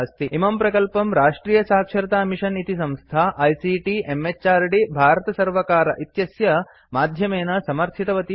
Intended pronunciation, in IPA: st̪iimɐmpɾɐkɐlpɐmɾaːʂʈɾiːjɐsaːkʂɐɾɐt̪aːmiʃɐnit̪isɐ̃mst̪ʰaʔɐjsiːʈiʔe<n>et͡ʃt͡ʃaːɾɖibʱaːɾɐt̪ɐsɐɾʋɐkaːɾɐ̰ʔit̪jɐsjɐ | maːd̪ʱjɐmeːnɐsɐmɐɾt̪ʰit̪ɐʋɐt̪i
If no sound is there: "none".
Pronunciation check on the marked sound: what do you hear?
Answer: m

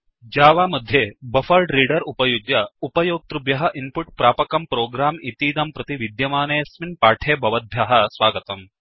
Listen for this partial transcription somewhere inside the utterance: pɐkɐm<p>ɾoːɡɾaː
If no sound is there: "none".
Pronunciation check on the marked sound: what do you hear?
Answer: p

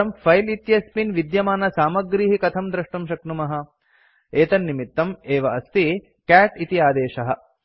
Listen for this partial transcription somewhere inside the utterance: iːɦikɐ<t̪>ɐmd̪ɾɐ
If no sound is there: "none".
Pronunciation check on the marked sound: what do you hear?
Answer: t̪ʰ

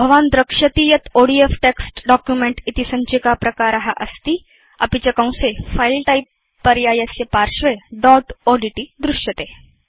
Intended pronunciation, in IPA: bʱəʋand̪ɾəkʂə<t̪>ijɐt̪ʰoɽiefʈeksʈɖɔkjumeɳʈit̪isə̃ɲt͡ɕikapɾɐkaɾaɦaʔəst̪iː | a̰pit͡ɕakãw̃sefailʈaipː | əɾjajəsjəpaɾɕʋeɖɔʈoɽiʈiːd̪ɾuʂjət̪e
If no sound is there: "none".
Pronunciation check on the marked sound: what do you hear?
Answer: t̪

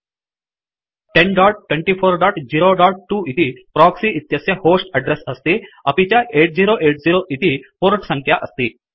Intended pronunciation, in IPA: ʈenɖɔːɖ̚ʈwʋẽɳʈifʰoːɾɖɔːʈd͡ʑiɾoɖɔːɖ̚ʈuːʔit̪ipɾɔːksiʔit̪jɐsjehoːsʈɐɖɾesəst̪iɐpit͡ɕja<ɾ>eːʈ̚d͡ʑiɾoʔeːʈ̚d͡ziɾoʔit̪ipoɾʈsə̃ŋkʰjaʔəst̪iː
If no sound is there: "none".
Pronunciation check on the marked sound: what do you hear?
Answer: none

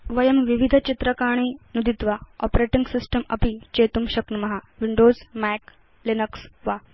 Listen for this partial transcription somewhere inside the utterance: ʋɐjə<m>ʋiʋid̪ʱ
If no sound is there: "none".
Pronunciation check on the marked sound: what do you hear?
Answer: m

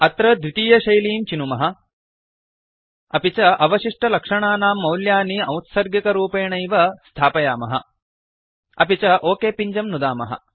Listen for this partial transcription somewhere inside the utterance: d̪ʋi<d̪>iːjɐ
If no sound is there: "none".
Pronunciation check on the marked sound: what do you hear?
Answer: t̪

